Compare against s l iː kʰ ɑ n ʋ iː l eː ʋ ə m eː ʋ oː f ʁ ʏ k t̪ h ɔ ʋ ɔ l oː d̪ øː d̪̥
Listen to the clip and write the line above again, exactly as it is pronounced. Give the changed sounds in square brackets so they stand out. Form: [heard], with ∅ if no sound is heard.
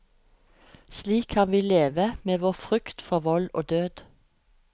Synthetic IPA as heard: s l iː kʰ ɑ n ʋ iː l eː ʋ ə m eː ʋ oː f ʁ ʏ k t̪ [f] ɔ ʋ ɔ l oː d̪ øː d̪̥